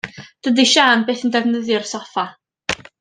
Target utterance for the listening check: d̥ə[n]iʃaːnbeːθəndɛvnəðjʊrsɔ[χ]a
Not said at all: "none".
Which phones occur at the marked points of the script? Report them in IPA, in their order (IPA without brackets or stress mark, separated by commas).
d, f